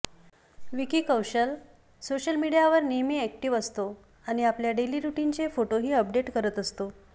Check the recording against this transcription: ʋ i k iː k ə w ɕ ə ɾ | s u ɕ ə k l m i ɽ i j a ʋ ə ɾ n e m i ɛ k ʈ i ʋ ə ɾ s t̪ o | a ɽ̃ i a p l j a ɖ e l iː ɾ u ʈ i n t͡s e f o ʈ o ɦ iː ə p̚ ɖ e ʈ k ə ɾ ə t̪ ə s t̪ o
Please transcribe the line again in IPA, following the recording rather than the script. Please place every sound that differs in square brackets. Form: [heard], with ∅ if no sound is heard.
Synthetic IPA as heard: ʋ i k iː k ə w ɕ ə [l] | s [o] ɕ ə [∅] l m i ɽ i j a ʋ ə ɾ n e m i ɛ k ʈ i ʋ ə [∅] s t̪ o | a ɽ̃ i a p l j a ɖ e l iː ɾ u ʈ i n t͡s e f o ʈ o ɦ iː ə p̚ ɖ e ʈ k ə ɾ ə t̪ ə s t̪ o